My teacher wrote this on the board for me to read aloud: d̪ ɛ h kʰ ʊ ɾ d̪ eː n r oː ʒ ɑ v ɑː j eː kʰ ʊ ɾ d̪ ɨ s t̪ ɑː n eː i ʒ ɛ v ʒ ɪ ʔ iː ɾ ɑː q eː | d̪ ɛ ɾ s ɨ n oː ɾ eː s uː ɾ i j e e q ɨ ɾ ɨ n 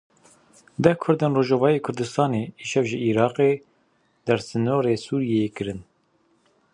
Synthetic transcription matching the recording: d̪ ɛ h kʰ ʊ ɾ d̪ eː n r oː ʒ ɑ v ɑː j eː kʰ ʊ ɾ d̪ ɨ s t̪ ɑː n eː i ʃ ɛ v ʒ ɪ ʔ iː ɾ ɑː q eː | d̪ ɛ ɾ s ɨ n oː ɾ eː s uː ɾ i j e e k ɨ ɾ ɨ n